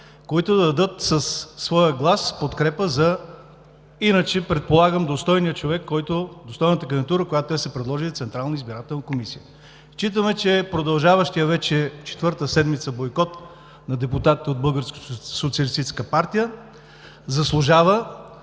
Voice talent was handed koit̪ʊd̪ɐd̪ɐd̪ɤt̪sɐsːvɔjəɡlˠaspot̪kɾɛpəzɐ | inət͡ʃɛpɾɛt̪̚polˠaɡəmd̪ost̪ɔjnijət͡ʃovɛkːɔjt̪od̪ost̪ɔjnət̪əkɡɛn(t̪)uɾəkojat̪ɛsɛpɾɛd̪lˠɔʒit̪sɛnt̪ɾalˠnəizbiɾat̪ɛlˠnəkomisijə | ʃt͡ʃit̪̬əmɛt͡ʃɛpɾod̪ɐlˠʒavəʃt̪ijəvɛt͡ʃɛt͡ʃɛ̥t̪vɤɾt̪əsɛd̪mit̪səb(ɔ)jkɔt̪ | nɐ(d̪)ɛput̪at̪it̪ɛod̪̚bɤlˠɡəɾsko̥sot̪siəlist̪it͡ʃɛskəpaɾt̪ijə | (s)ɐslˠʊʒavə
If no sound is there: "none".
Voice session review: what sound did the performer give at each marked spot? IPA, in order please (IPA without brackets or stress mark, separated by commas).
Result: t̪, o, d̪, z